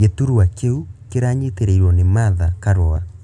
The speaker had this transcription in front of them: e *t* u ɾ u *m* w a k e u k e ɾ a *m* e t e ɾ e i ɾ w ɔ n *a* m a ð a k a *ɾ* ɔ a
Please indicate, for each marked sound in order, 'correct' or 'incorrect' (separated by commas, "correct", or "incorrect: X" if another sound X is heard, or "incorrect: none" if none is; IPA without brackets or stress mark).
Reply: correct, incorrect: none, incorrect: ɲ, incorrect: e, correct